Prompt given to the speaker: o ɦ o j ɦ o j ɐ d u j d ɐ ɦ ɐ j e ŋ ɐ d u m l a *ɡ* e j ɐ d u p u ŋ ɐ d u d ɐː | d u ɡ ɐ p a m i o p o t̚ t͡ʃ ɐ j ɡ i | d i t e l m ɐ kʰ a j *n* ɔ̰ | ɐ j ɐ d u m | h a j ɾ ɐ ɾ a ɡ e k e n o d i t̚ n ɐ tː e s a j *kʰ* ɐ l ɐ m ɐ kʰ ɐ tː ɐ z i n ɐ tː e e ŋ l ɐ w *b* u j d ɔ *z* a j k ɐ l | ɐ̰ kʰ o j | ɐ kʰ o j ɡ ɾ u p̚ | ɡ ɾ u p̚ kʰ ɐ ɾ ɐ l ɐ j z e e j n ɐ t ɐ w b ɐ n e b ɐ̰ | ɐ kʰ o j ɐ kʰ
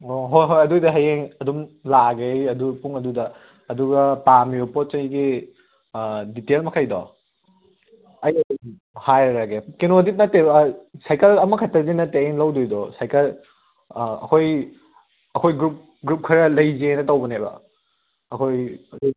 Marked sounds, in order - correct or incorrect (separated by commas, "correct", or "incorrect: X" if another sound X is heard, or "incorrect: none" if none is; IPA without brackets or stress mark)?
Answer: correct, incorrect: d, incorrect: k, incorrect: d, incorrect: s